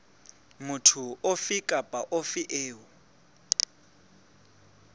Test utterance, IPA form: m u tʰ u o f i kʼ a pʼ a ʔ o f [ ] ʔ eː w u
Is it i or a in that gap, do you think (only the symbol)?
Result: i